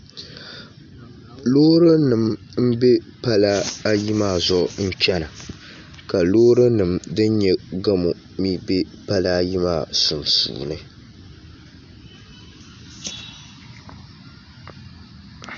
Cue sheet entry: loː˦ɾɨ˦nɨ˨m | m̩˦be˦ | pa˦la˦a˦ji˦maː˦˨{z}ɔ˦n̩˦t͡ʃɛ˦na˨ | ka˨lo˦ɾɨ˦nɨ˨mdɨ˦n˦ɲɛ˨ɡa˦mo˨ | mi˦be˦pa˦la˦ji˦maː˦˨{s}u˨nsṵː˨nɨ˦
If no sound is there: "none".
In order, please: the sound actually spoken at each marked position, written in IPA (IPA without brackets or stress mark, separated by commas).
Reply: z, s